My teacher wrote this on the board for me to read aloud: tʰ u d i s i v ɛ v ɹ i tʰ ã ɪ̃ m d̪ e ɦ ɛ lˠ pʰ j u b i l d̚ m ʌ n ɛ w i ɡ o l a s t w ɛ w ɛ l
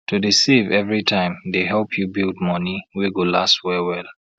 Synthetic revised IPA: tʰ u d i s i v ɛ v ɹ i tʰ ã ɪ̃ m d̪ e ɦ ɛ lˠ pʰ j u b i l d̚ m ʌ n i w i ɡ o l a s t w ɛ w ɛ l